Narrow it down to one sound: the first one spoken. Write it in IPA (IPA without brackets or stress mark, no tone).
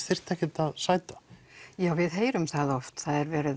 θ